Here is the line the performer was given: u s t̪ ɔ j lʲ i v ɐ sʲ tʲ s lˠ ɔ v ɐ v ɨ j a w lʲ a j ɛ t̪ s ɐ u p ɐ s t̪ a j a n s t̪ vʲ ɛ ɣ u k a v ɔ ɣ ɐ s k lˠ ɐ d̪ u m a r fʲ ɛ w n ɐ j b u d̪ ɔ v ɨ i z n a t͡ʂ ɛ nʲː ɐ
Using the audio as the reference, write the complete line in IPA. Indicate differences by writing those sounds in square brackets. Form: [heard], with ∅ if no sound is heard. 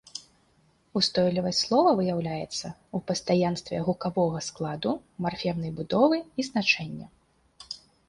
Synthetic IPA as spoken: u s t̪ ɔ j lʲ i v ɐ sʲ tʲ s lˠ ɔ v ɐ v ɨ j a w lʲ a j ɛ t̪ [sː] ɐ u p ɐ s t̪ a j a n s t̪ vʲ ɛ ɣ u k a v ɔ ɣ ɐ s k lˠ [a] d̪ u m a r fʲ ɛ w n ɐ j b u d̪ ɔ v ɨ i z n a t͡ʂ ɛ nʲː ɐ